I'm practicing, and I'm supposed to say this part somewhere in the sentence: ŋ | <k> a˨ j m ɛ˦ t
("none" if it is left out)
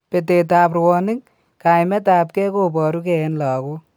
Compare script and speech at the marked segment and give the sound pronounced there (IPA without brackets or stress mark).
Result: k